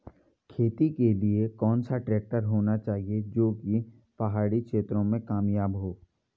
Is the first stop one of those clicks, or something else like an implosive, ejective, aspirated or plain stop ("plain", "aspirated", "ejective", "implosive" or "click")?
aspirated